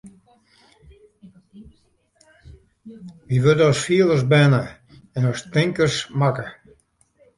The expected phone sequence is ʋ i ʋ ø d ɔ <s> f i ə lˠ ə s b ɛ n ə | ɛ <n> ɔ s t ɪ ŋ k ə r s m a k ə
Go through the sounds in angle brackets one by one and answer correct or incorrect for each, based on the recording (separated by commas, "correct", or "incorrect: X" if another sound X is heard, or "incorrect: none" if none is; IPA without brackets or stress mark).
correct, correct